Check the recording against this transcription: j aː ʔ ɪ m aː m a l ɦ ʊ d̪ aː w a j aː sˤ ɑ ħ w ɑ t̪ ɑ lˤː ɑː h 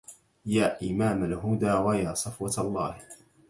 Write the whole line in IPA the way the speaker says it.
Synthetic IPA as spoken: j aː ʔ ɪ m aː m a l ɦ ʊ d̪ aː w a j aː sˤ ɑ f w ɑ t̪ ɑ lˤː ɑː h